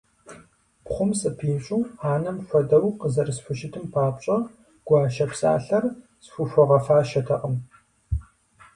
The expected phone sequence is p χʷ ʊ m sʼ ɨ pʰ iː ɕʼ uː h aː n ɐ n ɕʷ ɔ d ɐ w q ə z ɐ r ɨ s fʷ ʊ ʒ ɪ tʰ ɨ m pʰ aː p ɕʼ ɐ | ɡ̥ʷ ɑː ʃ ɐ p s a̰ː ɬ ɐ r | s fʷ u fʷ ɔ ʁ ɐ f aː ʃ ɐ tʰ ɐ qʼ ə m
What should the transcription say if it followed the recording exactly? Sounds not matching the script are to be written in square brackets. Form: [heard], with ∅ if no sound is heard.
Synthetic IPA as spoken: p χʷ ʊ m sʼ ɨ pʰ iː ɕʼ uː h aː n ɐ [m] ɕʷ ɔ d ɐ w q ə z ɐ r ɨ s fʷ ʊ [ʃ] ɪ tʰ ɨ m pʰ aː p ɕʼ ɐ | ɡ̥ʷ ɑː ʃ ɐ p s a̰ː ɬ ɐ r | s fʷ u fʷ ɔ ʁ ɐ f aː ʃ ɐ tʰ ɐ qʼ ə m